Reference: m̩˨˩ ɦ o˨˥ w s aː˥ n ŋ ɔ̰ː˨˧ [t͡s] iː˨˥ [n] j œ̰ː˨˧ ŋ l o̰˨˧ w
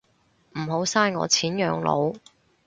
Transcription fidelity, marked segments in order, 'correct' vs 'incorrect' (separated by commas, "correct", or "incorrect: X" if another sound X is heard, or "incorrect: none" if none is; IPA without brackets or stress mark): incorrect: t͡sʰ, correct